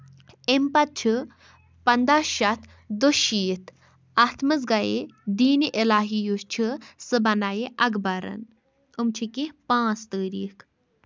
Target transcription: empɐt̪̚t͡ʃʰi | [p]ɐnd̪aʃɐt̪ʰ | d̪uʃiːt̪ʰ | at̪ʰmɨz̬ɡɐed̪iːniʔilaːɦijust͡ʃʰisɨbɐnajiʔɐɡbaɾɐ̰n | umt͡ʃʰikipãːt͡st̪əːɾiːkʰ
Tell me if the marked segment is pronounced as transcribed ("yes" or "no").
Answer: yes